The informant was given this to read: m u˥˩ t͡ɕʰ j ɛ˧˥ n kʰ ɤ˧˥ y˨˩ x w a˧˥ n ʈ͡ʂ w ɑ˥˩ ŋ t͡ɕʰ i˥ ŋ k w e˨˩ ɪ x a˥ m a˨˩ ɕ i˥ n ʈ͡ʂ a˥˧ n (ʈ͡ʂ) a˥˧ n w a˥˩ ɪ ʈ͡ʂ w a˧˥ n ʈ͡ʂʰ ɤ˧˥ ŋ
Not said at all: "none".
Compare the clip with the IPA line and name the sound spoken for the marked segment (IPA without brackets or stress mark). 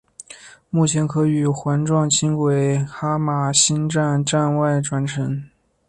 ʈ͡ʂ